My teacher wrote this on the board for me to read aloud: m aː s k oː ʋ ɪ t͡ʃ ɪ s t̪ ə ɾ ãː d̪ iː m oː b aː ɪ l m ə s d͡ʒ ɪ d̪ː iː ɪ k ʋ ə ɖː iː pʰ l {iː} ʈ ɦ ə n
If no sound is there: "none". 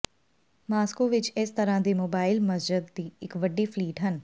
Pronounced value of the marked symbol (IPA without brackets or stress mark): iː